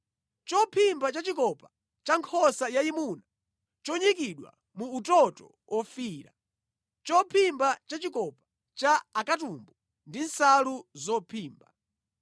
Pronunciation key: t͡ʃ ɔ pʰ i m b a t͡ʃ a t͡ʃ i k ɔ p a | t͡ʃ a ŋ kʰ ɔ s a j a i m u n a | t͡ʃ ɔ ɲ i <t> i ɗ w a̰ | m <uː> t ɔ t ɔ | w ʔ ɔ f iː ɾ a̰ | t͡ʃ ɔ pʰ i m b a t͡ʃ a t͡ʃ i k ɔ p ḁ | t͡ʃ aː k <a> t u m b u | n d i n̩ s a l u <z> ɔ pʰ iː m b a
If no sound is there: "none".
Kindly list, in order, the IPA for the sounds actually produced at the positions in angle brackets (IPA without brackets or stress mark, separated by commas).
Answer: k, uː, a, z